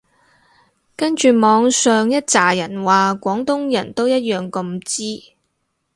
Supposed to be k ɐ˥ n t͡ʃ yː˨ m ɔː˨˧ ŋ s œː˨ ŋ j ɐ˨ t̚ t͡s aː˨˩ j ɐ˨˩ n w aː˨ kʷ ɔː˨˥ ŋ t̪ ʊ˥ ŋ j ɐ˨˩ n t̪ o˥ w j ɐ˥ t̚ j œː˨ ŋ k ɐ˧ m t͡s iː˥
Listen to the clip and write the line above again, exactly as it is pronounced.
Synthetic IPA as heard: k ɐ˥ n t͡ʃ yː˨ m ɔː˨˧ ŋ s œː˨ ŋ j ɐ˥ t̚ t͡s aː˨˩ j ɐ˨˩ n w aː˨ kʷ ɔː˨˥ ŋ t̪ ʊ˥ ŋ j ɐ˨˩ n t̪ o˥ w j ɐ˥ t̚ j œː˨ ŋ k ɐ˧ m t͡s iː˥